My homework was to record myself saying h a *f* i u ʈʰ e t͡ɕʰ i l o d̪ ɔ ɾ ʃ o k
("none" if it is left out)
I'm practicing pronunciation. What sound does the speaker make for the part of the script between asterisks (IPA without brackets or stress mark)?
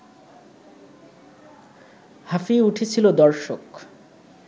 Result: f